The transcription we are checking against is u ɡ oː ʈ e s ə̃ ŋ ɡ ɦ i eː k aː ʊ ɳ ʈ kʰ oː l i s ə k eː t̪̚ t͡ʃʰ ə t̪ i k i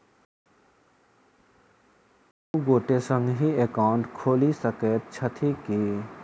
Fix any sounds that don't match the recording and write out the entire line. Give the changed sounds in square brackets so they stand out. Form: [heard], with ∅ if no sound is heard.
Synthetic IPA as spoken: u ɡ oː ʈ e s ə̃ ŋ ɡ ɦ i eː k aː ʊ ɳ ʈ kʰ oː l i s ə k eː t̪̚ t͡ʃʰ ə [t̪ʰ] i k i